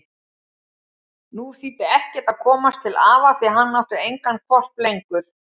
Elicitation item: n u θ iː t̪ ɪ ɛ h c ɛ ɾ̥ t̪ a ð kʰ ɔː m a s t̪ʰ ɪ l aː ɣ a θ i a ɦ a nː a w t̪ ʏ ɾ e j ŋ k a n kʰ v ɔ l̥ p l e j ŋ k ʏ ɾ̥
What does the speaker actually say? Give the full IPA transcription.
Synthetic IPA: n u θ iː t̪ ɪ ɛ h c ɛ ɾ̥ t̪ a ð kʰ ɔː m a s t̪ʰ ɪ l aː v a θ i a ɦ a nː a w t̪ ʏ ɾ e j ŋ k a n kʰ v ɔ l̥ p l e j ŋ k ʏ ɾ̥

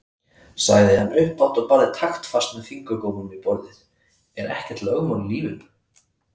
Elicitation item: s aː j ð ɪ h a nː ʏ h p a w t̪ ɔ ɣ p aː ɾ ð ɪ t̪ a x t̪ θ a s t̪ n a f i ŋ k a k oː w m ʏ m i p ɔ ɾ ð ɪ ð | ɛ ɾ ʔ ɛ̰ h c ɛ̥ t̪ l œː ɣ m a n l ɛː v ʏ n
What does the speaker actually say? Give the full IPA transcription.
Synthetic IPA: s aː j ð ɪ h a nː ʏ h p a w t̪ ɔ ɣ p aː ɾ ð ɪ t̪ʰ a x t̪ f a s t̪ n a f i ŋ k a k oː w m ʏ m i p ɔ ɾ ð ɪ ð | ɛ ɾ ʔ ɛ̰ h c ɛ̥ t̪ l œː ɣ m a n l iː v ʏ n

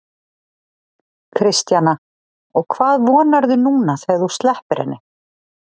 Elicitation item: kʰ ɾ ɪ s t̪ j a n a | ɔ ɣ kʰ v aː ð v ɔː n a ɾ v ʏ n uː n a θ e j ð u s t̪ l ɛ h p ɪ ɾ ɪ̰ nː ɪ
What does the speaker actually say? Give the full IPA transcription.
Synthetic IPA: kʰ ɾ ɪ s t̪ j a n a | ɔ ɣ kʰ v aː ð v ɔː n a ɾ ð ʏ n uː n a θ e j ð u s t̪ l ɛ h p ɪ ɾ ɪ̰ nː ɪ

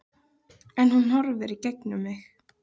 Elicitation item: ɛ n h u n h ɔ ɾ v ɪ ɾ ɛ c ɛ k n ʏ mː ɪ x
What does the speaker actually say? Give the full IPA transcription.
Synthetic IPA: ɛ n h u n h ɔ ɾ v ɪ ɾ i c ɛ k n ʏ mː ɪ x

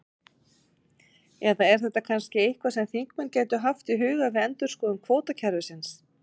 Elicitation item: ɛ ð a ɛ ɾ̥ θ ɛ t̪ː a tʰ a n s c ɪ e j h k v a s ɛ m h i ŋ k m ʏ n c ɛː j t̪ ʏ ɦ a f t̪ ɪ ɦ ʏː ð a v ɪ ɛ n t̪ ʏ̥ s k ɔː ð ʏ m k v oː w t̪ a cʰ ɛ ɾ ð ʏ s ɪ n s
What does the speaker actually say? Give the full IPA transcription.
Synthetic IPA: ɛ ð a ɛ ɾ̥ θ ɛ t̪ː a kʰ a n s c ɪ e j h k v a s ɛ m θ i ŋ k m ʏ n c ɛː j t̪ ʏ ɦ a f t̪ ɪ ɦ ʏː ɣ a v ɪ ɛ n t̪ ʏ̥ s k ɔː ð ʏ m kʰ v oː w t̪ a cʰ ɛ ɾ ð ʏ s ɪ n s

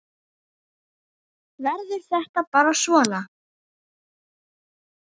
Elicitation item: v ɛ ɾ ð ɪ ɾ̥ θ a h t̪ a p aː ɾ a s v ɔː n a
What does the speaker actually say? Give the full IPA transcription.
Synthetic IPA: v ɛ ɾ ð ɪ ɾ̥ θ ɛ h t̪ a p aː ɾ a s v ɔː n a

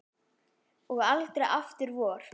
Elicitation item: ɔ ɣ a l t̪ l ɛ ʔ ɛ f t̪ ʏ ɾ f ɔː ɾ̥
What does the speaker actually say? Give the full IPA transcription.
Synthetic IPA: ɔ ɣ a l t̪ ɾ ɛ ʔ a f t̪ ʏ ɾ v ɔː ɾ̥

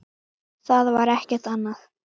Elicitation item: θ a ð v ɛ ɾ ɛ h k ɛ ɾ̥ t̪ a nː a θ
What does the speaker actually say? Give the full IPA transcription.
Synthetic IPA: θ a ð v a ɾ ɛ h c ɛ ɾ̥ t̪ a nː a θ

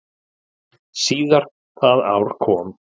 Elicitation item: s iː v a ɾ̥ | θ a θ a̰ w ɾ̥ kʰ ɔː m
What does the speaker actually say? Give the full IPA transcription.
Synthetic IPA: s iː ð a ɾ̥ | θ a ð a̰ w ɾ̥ kʰ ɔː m

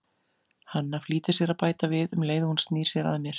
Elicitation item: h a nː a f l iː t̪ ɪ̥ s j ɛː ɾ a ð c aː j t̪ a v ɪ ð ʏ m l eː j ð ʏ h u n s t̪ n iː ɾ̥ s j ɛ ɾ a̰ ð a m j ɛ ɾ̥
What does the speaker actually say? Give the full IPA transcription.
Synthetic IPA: h a nː a f l iː t̪ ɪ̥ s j ɛ ɾ a ð p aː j t̪ a v ɪ ð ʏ m l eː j ð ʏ h u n s t̪ n iː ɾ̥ s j ɛ ɾ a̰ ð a m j ɛ ɾ̥

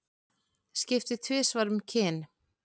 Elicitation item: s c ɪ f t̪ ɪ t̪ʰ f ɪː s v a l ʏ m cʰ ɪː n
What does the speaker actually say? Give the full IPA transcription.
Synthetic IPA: s c ɪ f t̪ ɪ t̪ʰ v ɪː s v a ɾ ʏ m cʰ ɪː n

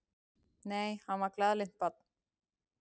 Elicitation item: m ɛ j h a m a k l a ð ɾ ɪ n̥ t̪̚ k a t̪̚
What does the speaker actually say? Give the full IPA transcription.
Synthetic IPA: n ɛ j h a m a k l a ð l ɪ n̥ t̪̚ p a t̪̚

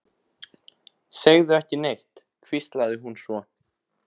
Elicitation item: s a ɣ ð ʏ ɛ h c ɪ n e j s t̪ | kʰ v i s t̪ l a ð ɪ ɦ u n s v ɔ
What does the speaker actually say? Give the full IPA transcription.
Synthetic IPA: s e ɣ ð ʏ ɛ h c ɪ n e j h t̪ | kʰ v i s t̪ l a ð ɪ ɦ u n s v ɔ

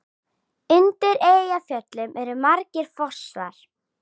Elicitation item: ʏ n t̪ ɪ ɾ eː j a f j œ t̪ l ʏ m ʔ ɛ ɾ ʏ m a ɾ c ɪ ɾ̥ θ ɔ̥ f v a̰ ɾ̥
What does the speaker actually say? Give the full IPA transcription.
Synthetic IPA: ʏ n t̪ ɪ ɾ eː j a f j œ t̪ l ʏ m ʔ ɛ ɾ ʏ m a ɾ c ɪ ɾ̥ f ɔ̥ s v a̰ ɾ̥

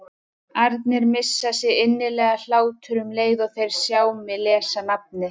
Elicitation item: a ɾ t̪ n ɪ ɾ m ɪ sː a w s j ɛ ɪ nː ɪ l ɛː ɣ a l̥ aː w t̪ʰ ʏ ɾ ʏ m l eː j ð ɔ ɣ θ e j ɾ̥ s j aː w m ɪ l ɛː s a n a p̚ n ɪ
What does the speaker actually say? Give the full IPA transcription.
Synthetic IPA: a ɾ t̪ n ɪ ɾ m ɪ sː a s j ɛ ɪ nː ɪ l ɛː ɣ a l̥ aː w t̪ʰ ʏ ɾ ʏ m l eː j ð ɔ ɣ θ e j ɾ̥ s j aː w m ɪ l ɛː s a n a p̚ n ɪ

